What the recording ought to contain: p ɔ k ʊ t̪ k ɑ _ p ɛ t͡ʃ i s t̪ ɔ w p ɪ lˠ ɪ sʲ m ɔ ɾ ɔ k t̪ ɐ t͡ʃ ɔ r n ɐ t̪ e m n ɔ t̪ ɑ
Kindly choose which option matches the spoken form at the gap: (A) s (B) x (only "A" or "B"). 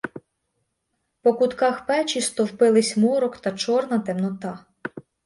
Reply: B